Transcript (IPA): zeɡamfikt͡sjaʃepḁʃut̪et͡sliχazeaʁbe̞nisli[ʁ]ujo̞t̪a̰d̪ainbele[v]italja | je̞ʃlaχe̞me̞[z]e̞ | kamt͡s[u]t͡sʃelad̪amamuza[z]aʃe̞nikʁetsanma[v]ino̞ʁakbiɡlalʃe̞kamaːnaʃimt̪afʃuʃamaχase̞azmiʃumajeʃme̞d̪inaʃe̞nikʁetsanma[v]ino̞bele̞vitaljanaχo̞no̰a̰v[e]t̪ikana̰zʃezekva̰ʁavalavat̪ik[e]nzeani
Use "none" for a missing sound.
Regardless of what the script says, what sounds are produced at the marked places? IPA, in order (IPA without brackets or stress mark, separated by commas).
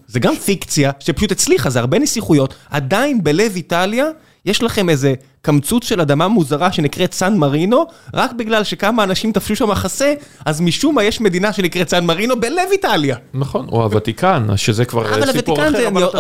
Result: χ, v, z, u, ʁ, ʁ, ʁ, a, a